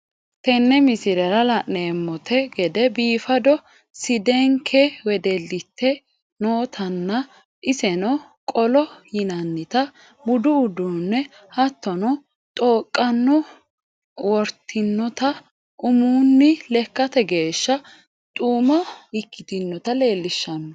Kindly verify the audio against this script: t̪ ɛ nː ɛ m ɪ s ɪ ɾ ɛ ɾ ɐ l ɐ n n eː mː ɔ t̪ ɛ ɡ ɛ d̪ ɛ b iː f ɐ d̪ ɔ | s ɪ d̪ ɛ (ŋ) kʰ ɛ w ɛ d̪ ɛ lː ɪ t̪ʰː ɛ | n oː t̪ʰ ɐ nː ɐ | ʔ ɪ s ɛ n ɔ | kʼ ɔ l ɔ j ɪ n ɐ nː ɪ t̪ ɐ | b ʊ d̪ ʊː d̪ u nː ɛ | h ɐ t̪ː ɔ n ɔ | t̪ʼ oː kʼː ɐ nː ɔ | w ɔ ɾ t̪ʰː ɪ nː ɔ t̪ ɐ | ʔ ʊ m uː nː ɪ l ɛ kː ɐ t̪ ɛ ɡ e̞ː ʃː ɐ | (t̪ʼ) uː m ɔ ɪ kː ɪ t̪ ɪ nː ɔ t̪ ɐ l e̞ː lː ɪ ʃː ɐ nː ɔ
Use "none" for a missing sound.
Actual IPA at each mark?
ŋ, t̪ʼ

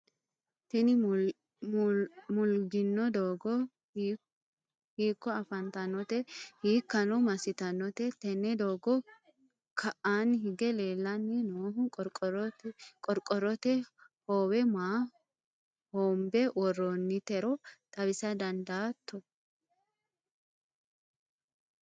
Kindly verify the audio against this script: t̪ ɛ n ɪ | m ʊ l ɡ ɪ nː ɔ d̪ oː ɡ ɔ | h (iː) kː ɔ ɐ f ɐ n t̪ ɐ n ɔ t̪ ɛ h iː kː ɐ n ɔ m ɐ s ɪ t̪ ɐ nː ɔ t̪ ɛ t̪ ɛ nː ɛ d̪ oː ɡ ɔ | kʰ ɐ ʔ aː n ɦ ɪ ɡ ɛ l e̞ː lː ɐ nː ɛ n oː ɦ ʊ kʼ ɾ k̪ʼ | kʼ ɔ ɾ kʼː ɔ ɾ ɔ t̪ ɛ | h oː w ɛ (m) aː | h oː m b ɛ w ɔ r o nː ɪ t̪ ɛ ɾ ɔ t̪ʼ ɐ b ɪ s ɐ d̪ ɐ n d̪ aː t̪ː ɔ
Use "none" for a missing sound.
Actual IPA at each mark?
iː, m

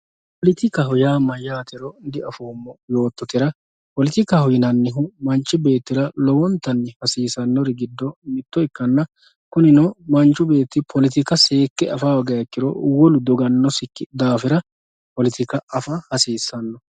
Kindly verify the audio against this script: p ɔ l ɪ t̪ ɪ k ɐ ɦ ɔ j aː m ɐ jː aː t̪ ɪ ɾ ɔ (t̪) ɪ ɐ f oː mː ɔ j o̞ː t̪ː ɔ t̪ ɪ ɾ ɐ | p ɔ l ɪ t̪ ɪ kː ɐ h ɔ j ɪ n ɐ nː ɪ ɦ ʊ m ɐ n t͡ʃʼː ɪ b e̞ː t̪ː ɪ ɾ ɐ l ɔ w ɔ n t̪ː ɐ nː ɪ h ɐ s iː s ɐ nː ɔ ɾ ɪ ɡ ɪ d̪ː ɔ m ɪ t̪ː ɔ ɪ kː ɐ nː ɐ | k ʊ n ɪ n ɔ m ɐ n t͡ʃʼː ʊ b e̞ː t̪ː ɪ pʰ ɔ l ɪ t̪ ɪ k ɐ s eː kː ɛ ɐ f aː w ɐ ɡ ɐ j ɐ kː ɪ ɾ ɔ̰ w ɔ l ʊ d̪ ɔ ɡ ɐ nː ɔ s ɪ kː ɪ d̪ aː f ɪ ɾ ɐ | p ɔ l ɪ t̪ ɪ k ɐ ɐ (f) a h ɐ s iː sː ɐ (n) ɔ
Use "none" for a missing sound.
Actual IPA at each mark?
d̪, f, nː

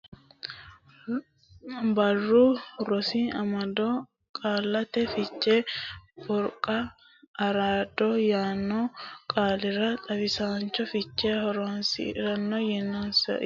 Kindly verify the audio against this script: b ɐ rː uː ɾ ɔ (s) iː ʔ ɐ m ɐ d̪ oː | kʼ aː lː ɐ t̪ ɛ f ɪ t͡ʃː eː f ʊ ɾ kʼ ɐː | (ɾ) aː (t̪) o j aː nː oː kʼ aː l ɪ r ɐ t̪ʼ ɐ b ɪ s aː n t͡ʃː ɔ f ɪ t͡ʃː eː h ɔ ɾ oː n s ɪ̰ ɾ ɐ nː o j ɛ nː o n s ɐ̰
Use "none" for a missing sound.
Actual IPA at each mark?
s, ɾ, d̪

